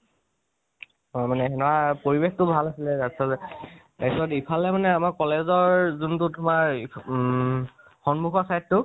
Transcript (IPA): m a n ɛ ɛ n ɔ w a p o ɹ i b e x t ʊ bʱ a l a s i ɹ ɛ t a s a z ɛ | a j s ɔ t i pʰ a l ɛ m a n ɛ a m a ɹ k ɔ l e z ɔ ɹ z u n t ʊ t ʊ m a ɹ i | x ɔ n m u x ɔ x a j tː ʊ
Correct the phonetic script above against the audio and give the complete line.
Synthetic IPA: m a n ɛ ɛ n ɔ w a p o ɹ i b e x t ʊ bʱ a l a s i l ɛ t a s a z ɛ | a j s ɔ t i pʰ a l ɛ m a n ɛ a m a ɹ k ɔ l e z ɔ ɹ z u n t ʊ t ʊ m a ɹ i | x ɔ n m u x ɔ s a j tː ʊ